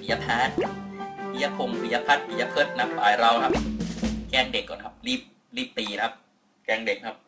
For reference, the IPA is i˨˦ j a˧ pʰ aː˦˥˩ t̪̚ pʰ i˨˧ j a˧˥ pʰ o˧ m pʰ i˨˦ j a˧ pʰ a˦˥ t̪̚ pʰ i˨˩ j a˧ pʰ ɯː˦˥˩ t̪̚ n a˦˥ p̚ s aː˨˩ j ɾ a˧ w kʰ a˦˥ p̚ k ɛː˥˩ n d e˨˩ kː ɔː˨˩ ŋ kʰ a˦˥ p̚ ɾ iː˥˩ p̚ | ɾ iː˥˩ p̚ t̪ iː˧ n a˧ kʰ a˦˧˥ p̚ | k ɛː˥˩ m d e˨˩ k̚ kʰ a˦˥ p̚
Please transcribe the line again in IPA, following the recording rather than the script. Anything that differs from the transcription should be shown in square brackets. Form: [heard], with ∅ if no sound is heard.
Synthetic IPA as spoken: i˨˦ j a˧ pʰ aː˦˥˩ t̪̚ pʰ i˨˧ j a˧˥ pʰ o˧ m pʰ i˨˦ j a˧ pʰ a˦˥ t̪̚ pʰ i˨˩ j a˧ pʰ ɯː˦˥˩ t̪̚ n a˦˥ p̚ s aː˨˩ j ɾ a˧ w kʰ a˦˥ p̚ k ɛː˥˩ [ŋ] d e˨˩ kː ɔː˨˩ [n] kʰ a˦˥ p̚ ɾ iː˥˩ p̚ | ɾ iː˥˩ p̚ t̪ iː˧ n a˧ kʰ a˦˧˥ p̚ | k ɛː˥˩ [ŋ] d e˨˩ k̚ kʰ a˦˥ p̚